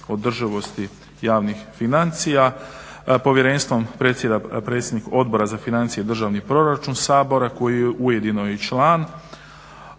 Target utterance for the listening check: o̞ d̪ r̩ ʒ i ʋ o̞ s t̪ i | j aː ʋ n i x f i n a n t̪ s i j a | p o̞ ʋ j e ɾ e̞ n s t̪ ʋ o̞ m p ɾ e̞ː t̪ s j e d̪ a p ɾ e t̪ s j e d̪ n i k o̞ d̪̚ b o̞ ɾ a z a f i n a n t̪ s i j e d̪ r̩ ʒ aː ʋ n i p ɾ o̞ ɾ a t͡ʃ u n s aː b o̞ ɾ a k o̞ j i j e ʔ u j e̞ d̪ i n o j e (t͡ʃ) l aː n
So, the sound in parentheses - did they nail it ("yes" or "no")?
yes